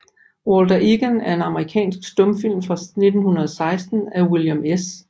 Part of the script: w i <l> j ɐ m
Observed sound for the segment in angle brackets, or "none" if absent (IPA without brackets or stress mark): l